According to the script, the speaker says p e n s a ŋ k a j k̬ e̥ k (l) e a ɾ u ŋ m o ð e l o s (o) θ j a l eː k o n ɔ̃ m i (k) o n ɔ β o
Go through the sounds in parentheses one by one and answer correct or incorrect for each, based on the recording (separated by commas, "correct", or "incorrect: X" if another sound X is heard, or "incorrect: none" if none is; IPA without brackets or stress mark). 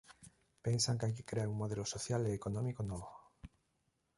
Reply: incorrect: ɾ, correct, correct